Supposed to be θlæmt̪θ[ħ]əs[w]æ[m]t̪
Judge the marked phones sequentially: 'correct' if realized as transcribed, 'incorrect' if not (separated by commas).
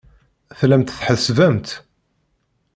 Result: correct, incorrect, correct